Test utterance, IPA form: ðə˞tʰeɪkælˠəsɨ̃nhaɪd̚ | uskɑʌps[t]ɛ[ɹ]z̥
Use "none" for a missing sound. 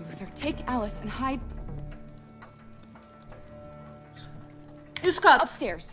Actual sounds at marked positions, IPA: t, ɹ

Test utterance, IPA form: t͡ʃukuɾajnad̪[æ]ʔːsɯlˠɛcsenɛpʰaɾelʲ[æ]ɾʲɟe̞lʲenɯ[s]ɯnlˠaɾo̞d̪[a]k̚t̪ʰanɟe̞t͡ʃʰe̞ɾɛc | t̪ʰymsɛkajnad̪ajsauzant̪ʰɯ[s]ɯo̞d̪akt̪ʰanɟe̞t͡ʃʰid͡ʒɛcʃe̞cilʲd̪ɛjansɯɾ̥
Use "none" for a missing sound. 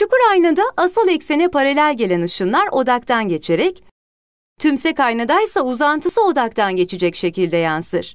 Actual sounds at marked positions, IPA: a, æ, ʃ, a, s

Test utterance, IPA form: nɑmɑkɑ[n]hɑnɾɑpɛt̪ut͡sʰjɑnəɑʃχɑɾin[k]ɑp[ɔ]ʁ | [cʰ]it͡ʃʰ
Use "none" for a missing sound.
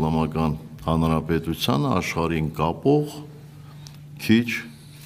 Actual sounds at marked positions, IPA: n, k, ɔ, kʰ

